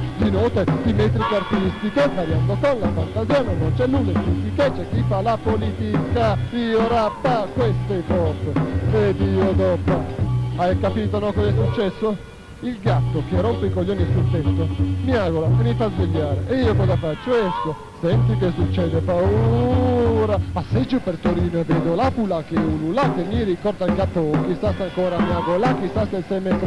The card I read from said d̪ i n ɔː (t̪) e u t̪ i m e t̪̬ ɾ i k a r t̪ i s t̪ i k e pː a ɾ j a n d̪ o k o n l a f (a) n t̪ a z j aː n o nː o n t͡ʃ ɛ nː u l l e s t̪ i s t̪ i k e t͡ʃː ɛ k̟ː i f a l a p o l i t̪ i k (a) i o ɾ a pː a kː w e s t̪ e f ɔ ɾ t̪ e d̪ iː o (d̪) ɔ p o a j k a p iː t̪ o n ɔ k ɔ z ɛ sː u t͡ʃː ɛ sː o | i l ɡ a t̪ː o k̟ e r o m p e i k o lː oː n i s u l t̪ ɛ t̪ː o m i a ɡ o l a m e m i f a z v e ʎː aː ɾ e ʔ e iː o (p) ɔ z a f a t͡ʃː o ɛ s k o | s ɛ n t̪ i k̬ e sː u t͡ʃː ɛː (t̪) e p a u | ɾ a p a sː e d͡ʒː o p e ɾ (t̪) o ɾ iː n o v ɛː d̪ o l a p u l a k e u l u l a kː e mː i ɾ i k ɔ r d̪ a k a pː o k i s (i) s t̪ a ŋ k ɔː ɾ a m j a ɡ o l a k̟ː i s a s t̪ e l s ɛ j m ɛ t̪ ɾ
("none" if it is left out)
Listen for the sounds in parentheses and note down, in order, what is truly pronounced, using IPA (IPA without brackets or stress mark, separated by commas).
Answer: t̪, a, a, d̪, k, d̪, t̪, a